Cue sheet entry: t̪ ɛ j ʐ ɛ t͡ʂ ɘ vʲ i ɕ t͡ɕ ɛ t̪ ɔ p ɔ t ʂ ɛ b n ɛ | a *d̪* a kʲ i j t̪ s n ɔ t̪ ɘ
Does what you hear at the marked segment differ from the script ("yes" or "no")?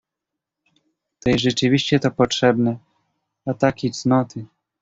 yes